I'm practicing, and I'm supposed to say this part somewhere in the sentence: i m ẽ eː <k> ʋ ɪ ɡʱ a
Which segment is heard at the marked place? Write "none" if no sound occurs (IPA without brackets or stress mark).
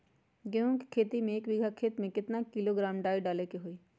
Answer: k